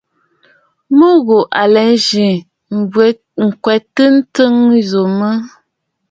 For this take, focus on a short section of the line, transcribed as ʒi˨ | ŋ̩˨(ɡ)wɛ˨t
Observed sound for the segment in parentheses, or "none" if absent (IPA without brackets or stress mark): k